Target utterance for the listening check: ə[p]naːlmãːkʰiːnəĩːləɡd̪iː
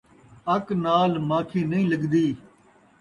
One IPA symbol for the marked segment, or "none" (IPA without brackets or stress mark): k